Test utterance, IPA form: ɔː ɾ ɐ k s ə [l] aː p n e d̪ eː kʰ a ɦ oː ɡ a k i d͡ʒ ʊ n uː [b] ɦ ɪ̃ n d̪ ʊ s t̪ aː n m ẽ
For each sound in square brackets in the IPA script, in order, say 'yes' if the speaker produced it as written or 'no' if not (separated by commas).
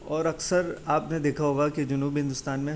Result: no, yes